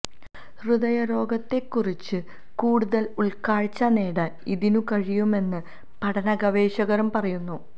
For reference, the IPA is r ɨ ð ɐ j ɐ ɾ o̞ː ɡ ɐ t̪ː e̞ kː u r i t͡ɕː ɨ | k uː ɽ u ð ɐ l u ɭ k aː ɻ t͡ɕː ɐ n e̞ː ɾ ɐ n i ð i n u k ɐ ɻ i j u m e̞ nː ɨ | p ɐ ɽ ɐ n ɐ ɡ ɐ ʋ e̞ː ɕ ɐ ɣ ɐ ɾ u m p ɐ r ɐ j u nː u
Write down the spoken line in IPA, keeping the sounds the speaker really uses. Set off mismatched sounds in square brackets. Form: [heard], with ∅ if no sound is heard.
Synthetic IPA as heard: r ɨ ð ɐ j ɐ ɾ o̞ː ɡ ɐ t̪ː e̞ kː u r i t͡ɕː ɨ | k uː ɽ u ð ɐ l u ɭ k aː ɻ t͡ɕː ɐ n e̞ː [ɽ] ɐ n i ð i n u k ɐ ɻ i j u m e̞ nː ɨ | p ɐ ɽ ɐ n ɐ ɡ ɐ ʋ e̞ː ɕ ɐ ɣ ɐ ɾ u m p ɐ r ɐ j u nː u